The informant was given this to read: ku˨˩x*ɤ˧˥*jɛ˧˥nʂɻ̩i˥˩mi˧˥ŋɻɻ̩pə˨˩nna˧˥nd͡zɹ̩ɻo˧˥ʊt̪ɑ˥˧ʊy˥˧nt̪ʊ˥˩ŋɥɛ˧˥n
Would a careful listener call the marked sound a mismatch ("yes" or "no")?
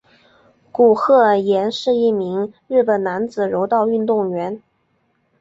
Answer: yes